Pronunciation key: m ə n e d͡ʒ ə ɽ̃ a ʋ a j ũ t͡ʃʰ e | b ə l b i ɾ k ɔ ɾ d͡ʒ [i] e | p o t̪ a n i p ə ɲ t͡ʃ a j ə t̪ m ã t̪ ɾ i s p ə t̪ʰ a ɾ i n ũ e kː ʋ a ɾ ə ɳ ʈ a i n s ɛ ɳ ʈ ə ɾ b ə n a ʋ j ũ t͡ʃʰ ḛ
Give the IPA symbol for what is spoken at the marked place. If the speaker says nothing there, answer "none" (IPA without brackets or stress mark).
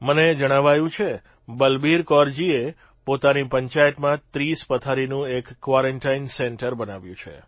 i